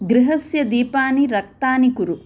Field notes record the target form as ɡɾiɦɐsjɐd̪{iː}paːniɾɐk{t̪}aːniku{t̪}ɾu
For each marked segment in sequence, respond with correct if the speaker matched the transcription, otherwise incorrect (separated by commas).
correct, correct, incorrect